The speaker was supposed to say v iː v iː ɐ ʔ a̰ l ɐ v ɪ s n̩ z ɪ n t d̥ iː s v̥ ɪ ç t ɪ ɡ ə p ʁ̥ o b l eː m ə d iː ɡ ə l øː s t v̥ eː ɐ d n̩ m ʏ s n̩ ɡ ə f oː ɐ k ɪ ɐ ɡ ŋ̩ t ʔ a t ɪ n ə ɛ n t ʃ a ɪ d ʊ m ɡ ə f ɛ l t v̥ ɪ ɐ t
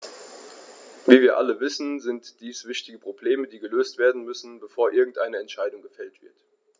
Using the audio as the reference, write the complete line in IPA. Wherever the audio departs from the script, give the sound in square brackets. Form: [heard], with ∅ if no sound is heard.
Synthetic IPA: v iː v iː ɐ ʔ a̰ l [ə] v ɪ s n̩ z ɪ n t d̥ iː s v̥ ɪ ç t ɪ ɡ ə p ʁ̥ o b l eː m ə d iː ɡ ə l øː s t v̥ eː ɐ d n̩ m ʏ s n̩ [b] ə f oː ɐ [ʔ] ɪ ɐ ɡ ŋ̩ t ʔ a [∅] ɪ n ə ɛ n t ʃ a ɪ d ʊ [ŋ] ɡ ə f ɛ l t v̥ ɪ ɐ t